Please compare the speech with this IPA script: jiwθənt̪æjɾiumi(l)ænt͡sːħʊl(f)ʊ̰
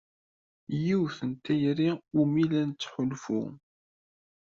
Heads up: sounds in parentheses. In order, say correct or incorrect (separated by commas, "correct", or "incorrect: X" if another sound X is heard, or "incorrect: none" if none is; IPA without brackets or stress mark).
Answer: correct, correct